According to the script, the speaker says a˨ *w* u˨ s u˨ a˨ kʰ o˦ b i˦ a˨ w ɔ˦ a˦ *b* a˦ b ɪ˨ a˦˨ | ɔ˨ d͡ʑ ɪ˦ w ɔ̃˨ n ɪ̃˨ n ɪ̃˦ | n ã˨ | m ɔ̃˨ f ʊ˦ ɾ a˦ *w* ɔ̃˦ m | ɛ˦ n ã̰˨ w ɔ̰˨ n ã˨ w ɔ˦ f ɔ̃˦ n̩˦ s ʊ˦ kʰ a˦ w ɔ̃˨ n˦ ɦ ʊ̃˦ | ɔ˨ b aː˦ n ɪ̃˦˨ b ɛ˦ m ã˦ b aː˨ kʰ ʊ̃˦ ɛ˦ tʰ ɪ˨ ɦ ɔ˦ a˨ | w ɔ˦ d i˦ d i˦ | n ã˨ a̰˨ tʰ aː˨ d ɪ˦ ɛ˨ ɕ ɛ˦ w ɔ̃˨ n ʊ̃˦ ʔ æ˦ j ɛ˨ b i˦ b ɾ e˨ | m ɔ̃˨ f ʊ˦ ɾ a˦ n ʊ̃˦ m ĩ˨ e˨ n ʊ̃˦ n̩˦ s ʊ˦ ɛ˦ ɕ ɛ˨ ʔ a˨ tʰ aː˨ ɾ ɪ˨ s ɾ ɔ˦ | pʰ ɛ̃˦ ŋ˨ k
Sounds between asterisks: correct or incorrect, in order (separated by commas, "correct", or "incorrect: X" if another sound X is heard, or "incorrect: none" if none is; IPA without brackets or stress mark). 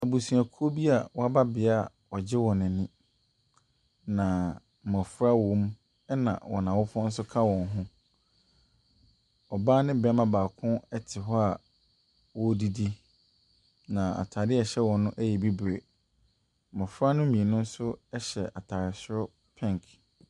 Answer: incorrect: b, correct, correct